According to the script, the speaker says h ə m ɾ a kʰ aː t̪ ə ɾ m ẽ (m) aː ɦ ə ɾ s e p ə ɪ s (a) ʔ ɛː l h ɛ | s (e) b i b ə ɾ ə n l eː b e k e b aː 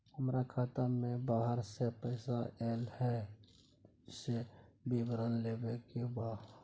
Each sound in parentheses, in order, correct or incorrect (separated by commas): incorrect, correct, correct